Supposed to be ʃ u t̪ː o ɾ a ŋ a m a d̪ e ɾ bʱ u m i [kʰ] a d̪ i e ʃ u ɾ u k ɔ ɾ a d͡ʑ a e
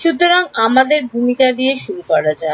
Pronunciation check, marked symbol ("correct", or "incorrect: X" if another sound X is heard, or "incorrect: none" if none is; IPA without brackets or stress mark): incorrect: k